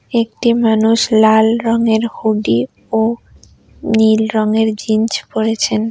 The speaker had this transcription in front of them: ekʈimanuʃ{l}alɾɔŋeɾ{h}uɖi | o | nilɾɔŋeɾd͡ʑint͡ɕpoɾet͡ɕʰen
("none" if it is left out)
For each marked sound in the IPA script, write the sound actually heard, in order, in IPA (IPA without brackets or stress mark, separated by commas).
l, h